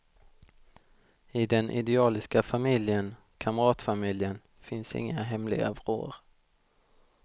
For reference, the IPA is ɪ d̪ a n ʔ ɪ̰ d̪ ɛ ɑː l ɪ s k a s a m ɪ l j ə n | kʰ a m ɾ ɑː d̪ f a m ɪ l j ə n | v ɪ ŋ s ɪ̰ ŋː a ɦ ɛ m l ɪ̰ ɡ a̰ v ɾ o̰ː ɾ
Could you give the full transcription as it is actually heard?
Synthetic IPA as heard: ɪ d̪ ɛ n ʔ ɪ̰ d̪ ɛ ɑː l ɪ s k a f a m ɪ l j ə n | kʰ a m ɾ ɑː t̪ f a m ɪ l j ə n | f ɪ n s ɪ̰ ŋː a ɦ ɛ m l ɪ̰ ɡ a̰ v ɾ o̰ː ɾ